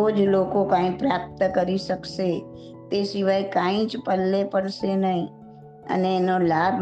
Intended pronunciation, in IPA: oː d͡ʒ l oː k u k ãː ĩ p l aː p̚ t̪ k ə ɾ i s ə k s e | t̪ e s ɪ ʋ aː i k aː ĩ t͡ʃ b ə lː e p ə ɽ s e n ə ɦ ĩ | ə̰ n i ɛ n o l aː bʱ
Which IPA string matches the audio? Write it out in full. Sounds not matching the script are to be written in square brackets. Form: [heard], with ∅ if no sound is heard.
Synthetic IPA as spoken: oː d͡ʒ l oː k [o] k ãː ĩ p [ɾ] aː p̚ t̪ k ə ɾ i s ə k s e | t̪ e s ɪ ʋ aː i k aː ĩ t͡ʃ [p] ə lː e p ə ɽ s e n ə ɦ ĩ | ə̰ n [e] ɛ n o l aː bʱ